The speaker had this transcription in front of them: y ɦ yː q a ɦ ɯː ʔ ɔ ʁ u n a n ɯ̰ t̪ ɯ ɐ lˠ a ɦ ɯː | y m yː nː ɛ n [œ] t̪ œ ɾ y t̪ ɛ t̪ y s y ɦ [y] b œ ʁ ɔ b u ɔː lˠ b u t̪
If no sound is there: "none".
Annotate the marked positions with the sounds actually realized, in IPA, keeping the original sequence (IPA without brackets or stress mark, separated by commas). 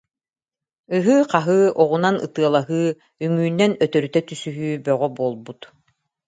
œ, yː